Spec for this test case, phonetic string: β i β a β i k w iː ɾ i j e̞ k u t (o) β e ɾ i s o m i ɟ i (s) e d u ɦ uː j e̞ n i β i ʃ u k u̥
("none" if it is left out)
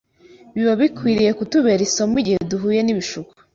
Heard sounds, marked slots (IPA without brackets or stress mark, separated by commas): u, h